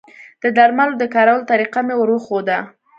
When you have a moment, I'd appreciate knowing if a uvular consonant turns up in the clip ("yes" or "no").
yes